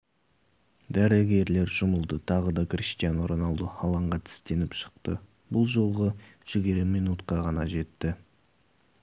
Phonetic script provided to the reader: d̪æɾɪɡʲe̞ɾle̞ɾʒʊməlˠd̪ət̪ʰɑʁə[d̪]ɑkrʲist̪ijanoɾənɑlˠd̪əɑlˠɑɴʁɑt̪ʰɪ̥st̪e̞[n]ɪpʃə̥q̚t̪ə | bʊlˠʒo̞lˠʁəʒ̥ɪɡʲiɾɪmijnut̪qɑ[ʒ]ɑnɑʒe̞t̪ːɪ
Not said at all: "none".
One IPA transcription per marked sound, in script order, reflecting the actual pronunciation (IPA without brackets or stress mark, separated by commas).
d̪, n, ʁ